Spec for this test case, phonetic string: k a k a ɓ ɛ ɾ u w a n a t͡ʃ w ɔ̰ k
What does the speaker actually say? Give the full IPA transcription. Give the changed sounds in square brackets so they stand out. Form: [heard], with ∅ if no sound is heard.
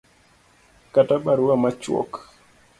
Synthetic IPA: k a [t] a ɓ [a] ɾ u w a [m] a t͡ʃ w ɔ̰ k